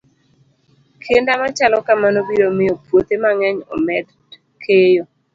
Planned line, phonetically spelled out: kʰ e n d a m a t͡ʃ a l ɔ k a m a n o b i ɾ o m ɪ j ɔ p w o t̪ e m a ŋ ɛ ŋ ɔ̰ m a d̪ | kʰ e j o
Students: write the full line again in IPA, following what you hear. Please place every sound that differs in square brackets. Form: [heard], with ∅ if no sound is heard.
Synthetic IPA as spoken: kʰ e n d a m a t͡ʃ a l ɔ k a m a n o b i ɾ o m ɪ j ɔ p w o t̪ e m a ŋ ɛ [ɲ] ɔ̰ m [ɛ] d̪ | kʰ e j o